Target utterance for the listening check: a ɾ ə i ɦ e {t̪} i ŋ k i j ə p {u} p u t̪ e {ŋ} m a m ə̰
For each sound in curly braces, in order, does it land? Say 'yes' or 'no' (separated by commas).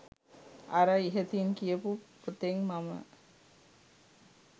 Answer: yes, yes, yes